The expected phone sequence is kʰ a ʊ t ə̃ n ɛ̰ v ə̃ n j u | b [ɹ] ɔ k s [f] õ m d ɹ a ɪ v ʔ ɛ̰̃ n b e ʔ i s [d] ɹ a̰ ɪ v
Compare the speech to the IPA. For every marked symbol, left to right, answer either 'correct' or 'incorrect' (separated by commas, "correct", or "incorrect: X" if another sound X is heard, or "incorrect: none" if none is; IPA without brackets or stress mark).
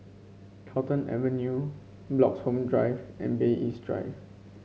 incorrect: l, incorrect: h, correct